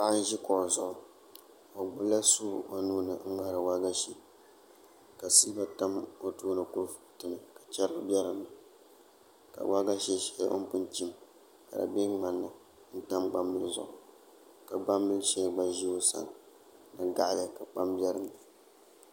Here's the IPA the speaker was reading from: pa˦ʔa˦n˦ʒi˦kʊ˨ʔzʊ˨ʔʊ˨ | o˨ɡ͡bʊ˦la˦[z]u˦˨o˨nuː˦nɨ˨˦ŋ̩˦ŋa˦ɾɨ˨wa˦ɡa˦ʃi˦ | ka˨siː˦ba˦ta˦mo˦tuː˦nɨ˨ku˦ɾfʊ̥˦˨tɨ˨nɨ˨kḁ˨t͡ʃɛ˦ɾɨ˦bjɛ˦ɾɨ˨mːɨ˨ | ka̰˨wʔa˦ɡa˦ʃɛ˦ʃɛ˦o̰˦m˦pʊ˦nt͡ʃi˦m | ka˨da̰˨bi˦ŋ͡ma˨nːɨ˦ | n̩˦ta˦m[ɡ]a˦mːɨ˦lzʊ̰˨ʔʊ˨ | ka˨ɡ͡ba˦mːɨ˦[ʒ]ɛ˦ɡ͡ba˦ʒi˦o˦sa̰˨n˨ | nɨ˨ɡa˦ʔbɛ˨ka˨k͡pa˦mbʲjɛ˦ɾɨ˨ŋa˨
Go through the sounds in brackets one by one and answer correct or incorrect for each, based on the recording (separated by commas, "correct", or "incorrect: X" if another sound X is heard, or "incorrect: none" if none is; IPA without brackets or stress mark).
incorrect: s, incorrect: ɡ͡b, incorrect: ʃ